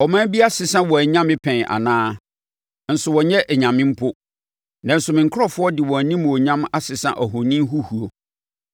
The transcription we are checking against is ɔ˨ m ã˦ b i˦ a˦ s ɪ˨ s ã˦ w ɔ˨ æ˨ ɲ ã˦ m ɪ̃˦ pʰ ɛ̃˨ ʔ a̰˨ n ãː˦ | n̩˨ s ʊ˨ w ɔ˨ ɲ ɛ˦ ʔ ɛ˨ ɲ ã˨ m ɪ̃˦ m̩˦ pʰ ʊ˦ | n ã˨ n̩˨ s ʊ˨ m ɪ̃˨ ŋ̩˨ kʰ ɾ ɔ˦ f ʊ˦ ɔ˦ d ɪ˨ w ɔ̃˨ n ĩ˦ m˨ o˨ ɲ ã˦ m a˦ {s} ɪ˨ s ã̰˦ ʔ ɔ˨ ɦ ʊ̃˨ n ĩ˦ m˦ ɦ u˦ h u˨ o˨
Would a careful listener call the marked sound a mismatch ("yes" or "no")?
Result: no